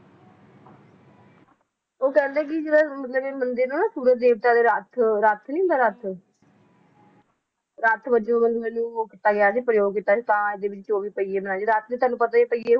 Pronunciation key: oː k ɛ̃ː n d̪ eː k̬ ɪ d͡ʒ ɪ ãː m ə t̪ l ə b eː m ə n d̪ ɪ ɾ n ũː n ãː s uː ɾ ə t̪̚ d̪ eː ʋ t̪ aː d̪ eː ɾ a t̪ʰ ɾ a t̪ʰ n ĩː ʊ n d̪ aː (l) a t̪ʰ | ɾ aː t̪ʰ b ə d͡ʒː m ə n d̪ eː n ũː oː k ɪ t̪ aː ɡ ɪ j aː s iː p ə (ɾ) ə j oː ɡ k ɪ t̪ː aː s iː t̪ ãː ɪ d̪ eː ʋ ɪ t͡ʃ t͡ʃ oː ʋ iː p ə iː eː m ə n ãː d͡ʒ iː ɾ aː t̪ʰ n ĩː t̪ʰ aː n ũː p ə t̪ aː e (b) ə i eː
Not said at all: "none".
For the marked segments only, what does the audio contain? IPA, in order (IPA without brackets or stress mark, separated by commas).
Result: ɾ, ɾ, p